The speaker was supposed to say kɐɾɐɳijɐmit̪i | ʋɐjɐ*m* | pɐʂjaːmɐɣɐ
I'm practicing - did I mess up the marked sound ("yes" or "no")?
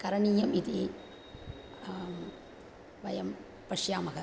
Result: no